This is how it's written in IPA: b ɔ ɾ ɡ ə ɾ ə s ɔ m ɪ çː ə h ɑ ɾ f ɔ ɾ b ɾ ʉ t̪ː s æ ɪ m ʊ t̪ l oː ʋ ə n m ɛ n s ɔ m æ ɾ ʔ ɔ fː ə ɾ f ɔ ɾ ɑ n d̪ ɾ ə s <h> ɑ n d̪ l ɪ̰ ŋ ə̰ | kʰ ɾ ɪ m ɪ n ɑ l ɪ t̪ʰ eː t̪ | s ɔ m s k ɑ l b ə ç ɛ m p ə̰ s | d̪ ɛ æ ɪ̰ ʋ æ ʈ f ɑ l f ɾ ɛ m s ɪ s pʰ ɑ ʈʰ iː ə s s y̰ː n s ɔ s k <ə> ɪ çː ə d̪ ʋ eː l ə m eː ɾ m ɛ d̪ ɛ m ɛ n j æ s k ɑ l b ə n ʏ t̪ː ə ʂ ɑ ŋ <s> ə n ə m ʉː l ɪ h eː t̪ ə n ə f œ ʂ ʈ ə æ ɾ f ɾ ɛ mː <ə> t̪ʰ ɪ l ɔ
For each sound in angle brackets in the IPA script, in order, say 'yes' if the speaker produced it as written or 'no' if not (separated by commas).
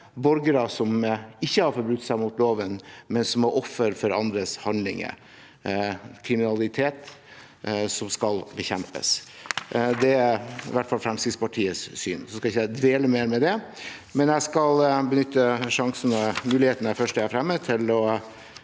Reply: yes, no, yes, yes